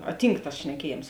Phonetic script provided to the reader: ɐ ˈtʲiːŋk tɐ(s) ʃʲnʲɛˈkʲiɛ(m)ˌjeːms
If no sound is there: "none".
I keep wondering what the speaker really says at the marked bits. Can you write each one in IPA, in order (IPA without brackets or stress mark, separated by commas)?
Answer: s, none